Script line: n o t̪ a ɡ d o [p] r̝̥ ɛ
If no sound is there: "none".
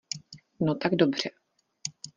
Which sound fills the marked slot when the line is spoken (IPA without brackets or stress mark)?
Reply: b